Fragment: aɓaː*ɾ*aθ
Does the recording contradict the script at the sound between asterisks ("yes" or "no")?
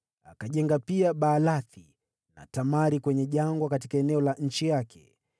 yes